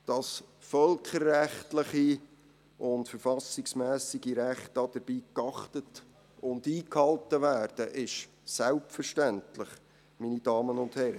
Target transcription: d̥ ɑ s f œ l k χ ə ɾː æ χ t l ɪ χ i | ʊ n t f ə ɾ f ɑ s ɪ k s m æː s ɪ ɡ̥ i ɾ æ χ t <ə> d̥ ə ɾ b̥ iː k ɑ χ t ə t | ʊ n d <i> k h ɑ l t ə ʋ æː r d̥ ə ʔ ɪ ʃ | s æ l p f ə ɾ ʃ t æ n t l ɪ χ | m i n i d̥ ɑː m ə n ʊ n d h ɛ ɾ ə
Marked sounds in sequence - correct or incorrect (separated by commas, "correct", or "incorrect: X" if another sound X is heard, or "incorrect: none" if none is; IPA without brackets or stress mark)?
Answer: incorrect: ɑ, incorrect: iː